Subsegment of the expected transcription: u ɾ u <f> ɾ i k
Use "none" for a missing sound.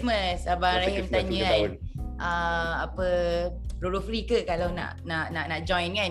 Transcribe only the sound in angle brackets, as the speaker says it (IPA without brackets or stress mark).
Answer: f